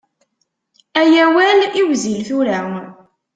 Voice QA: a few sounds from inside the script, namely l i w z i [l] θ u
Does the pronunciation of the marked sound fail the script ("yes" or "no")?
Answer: no